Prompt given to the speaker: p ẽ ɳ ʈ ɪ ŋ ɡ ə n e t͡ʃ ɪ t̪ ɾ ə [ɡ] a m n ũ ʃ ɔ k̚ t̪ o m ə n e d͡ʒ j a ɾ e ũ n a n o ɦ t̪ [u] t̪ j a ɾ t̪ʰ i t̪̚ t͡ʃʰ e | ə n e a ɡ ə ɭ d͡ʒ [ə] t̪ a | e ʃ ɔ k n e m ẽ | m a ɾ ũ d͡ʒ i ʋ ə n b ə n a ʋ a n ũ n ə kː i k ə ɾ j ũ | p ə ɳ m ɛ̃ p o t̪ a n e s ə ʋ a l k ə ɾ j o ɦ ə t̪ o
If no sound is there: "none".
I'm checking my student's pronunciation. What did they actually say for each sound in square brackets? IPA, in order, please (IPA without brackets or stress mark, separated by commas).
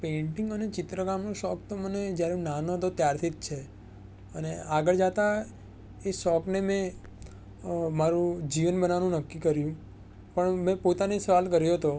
ɡ, o, a